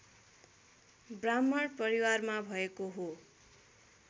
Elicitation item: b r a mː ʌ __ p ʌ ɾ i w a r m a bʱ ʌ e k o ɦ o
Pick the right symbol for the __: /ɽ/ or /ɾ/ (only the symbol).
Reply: ɽ